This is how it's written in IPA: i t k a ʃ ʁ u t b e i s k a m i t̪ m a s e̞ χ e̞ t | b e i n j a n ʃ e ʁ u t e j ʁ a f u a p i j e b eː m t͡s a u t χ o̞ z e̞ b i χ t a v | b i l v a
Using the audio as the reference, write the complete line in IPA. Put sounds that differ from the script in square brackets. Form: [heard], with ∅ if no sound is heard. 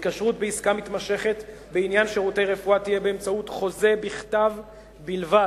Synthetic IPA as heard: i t k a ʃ ʁ u t b e i s k a m i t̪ m a [ʃ] e̞ χ e̞ t | b e i n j a n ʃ e ʁ u t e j ʁ [e] f u a [t] i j e b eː m t͡s a u t χ o̞ z e̞ b i χ t a v | b i l v a